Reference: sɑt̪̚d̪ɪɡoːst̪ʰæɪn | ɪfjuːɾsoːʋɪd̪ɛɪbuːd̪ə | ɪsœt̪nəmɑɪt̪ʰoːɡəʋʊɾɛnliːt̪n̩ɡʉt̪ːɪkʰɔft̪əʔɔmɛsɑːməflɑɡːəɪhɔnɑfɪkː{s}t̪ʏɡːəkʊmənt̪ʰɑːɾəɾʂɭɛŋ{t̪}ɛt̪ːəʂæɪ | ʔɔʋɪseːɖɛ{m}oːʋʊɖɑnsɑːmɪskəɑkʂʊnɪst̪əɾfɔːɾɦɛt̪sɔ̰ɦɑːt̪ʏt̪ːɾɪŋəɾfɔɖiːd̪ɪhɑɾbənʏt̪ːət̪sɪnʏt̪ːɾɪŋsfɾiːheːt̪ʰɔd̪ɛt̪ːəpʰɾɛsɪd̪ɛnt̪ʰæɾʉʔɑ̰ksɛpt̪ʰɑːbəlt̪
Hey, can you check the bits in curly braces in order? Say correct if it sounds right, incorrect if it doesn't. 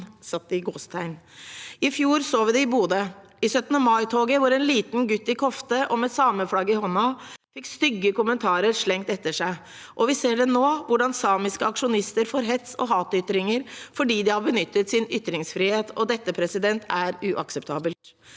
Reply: correct, correct, incorrect

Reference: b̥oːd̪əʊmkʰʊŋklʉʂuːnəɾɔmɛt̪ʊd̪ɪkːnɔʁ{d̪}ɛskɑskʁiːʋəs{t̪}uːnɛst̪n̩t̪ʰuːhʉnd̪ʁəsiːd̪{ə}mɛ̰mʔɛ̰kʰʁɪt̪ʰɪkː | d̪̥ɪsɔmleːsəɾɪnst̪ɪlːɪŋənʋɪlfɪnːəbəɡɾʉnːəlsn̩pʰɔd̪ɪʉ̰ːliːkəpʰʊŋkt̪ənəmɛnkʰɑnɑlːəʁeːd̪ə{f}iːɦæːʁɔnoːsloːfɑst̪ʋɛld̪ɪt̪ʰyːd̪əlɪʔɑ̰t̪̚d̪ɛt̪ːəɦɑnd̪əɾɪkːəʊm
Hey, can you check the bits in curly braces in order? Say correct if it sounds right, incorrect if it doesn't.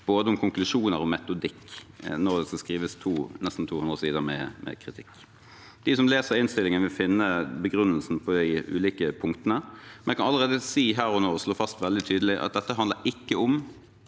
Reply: correct, incorrect, correct, incorrect

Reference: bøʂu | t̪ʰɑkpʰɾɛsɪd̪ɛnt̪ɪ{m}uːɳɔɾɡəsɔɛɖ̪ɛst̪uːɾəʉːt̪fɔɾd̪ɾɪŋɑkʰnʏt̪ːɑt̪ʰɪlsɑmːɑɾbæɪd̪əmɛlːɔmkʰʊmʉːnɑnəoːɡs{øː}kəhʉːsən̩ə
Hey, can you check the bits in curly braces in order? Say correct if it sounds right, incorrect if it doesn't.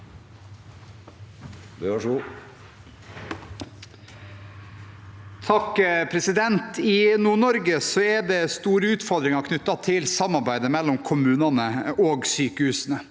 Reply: incorrect, incorrect

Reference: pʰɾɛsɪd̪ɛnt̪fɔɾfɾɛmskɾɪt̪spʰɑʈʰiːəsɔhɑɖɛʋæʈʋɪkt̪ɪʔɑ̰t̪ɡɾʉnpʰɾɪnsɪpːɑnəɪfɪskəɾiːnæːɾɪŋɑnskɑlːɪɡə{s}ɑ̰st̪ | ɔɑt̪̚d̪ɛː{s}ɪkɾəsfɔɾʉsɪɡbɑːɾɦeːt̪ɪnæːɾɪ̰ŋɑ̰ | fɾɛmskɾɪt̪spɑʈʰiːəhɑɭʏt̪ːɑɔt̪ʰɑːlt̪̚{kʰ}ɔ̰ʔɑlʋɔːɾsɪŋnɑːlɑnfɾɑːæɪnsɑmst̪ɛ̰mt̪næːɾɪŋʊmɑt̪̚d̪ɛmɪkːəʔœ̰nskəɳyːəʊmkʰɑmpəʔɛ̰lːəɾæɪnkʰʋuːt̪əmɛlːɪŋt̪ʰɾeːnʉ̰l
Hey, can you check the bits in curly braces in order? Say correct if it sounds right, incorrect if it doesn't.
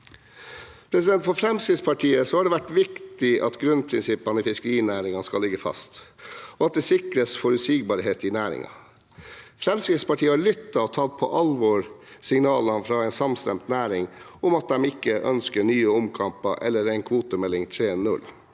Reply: incorrect, correct, incorrect

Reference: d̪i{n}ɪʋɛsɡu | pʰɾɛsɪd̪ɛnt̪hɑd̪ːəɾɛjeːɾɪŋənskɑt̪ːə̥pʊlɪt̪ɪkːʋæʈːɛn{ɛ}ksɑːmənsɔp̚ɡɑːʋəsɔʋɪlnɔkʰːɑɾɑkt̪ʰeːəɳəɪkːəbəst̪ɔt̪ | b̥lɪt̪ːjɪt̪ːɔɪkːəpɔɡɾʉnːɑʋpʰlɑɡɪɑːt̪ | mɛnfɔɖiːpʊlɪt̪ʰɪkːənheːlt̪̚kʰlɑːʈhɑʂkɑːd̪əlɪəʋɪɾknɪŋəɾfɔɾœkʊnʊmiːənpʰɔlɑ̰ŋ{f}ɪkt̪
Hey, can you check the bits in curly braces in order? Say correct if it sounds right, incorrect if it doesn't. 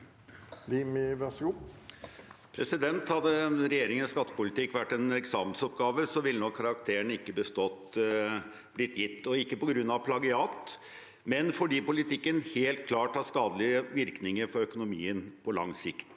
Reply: incorrect, correct, incorrect

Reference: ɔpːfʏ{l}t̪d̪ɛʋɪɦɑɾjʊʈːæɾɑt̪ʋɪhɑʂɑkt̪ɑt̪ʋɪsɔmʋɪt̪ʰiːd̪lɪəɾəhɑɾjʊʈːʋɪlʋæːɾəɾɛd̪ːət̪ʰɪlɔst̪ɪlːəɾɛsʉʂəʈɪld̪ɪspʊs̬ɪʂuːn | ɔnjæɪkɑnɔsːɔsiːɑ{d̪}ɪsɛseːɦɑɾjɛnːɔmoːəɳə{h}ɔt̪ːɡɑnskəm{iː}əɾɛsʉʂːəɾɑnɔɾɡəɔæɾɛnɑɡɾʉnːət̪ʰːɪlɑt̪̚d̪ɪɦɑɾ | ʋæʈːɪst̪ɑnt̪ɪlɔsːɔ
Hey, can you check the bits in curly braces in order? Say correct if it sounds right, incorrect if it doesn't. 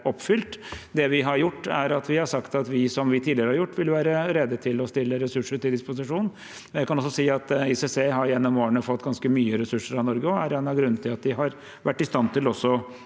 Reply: correct, incorrect, incorrect, incorrect

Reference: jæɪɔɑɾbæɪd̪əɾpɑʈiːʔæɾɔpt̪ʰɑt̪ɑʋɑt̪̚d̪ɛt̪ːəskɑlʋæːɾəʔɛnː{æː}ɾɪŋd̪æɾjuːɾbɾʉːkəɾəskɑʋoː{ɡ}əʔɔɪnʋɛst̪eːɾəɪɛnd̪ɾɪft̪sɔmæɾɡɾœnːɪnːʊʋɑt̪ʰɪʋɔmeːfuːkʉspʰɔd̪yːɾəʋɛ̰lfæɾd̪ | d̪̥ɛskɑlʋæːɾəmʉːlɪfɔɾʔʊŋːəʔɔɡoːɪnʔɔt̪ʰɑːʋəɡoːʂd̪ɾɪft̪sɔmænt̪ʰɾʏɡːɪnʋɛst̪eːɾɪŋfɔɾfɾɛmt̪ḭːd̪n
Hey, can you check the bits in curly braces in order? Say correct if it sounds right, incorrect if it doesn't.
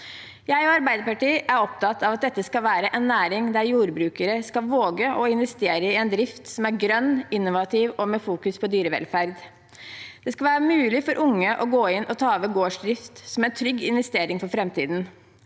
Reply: correct, correct

